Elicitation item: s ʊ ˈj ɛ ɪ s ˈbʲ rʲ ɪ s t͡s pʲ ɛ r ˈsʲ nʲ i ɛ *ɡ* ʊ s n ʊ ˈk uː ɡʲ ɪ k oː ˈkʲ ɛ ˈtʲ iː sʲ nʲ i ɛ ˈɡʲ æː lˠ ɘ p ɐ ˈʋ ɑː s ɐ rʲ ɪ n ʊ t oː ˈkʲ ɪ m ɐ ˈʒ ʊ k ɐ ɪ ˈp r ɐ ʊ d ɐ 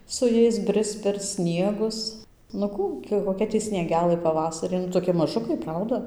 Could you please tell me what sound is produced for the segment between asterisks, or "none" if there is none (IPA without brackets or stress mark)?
ɡ